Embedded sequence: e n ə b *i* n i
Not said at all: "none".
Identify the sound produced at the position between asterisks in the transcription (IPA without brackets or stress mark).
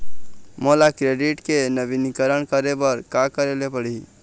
i